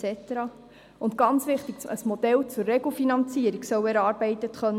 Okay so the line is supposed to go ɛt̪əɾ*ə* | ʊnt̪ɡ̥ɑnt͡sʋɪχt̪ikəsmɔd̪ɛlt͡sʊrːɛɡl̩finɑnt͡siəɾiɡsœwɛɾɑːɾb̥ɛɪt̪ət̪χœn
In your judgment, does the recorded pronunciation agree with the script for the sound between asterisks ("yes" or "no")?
no